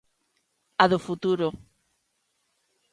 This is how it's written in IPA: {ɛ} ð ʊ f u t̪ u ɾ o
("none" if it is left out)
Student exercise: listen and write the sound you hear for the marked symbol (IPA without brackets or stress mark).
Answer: a